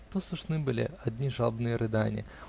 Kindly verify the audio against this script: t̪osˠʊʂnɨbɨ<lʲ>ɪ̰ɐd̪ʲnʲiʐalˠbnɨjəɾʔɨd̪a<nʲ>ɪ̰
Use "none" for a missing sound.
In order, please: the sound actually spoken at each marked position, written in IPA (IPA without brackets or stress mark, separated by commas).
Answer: lʲ, nʲ